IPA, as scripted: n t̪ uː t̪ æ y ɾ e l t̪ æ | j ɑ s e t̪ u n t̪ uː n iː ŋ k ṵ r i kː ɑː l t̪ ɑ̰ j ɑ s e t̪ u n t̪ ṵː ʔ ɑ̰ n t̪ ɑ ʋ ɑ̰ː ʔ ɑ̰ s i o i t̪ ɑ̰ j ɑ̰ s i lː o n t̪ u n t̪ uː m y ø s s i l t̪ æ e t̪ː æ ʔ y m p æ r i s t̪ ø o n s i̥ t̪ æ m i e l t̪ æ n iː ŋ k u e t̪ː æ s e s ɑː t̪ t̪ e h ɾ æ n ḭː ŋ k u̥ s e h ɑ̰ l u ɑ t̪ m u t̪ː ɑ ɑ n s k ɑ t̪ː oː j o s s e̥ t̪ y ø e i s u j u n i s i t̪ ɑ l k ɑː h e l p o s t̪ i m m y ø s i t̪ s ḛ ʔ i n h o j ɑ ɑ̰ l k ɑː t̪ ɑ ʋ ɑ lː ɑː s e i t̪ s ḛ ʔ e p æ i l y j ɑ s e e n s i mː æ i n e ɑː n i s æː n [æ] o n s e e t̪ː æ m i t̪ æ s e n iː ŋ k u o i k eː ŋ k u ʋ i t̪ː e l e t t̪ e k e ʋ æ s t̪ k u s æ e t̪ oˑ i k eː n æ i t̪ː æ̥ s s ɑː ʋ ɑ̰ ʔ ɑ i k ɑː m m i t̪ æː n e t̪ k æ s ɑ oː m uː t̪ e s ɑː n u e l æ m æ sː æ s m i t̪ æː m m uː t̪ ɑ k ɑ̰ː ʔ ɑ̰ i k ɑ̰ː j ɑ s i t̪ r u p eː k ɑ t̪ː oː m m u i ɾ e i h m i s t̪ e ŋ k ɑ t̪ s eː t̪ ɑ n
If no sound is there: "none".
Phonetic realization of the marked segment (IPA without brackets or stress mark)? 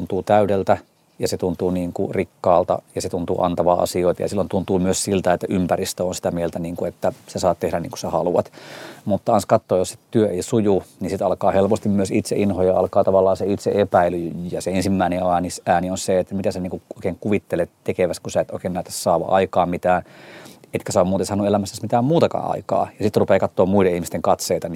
i